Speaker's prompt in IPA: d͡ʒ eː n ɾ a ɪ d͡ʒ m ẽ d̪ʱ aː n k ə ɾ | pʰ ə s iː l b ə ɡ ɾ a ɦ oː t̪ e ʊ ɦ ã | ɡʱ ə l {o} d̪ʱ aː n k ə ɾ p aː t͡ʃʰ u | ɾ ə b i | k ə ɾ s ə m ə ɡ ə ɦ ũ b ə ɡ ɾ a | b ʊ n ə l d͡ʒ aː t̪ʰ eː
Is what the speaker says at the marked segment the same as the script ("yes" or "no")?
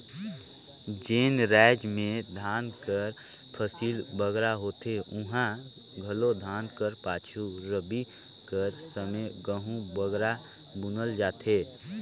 yes